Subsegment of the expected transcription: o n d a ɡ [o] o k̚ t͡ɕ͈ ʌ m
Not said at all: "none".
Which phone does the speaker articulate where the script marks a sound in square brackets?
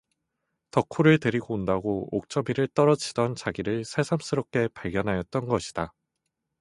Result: o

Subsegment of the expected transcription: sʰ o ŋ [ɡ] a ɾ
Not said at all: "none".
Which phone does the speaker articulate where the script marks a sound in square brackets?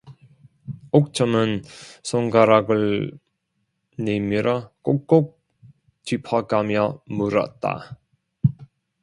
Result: ɡ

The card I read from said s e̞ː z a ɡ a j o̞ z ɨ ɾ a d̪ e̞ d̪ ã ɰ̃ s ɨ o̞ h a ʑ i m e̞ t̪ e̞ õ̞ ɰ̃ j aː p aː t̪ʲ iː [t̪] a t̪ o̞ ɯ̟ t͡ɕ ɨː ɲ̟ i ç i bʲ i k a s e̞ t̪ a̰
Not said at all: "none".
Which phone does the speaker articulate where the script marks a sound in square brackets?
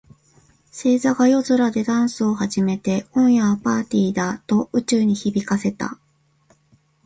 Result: d̪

